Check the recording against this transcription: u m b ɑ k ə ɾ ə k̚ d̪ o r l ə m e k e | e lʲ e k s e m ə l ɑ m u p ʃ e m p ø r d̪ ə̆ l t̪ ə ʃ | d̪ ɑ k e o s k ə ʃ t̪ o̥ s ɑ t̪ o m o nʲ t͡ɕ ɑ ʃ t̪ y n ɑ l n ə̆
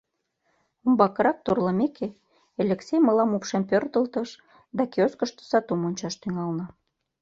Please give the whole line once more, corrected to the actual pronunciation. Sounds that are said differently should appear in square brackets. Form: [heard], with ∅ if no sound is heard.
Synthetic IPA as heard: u m b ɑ k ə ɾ [ɑ] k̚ [t̪] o r l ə m e k e | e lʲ e k s e m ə l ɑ m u p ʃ e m p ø r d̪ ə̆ l t̪ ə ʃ | d̪ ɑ k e o s k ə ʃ t̪ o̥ s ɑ t̪ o m o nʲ t͡ɕ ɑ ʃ t̪ y [ŋ] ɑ l n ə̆